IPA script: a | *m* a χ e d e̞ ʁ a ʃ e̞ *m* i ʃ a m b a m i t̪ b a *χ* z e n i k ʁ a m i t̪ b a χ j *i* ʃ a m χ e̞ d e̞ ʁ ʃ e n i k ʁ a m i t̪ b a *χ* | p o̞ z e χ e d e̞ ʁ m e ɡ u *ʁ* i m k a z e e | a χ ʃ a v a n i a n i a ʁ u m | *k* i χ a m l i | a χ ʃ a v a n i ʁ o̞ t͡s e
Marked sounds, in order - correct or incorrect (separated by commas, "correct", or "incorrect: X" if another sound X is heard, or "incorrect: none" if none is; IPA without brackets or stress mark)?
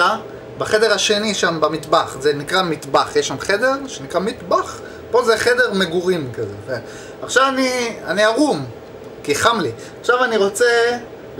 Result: incorrect: b, incorrect: n, correct, incorrect: e, correct, correct, correct